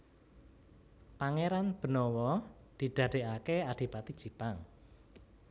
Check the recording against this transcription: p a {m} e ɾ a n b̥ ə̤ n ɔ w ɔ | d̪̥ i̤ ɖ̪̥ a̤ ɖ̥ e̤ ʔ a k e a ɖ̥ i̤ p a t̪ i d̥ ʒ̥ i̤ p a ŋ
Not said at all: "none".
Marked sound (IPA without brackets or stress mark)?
ŋ